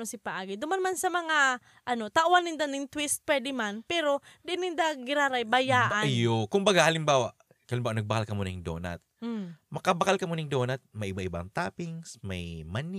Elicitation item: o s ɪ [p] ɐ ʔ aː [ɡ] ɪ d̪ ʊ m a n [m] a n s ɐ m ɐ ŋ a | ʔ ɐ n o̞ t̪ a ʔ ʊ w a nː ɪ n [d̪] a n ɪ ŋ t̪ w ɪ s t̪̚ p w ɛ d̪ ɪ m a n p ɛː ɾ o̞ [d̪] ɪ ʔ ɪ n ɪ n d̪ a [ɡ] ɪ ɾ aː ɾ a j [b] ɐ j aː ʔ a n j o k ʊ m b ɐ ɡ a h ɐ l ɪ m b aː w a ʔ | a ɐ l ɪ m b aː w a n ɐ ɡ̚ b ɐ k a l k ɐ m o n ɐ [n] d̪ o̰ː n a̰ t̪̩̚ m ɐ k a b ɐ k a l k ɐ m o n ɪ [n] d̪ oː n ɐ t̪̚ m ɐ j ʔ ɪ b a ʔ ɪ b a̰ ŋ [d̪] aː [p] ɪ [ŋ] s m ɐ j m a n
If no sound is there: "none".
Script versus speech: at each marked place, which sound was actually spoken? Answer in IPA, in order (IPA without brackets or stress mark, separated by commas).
p, ɡ, m, d̪, d̪, ɡ, b, ŋ, ŋ, t̪, p, ŋ